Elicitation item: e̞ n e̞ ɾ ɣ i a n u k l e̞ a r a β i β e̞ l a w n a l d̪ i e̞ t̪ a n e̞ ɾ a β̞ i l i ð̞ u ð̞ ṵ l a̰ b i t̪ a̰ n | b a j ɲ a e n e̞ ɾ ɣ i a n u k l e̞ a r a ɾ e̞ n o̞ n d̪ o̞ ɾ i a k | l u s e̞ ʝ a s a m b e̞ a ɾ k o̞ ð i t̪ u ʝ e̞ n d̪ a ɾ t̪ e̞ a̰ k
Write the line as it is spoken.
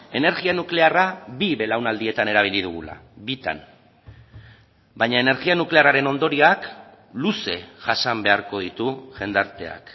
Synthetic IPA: e̞ n e̞ ɾ ɣ i a n u k l e̞ a r a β i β e̞ l a w n a l d̪ i e̞ t̪ a n e̞ ɾ a β̞ i l i ð̞ u ɣ̞ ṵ l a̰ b i t̪ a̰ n | b a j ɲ a e n e̞ ɾ ɣ i a n u k l e̞ a r a ɾ e̞ n o̞ n d̪ o̞ ɾ i a k | l u s e̞ ʝ a s a m b e̞ a ɾ k o̞ ð i t̪ u ʝ e̞ n d̪ a ɾ t̪ e̞ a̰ k